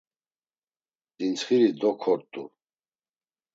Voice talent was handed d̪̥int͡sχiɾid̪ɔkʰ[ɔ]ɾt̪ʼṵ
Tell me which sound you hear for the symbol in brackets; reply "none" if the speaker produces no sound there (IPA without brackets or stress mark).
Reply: ɔ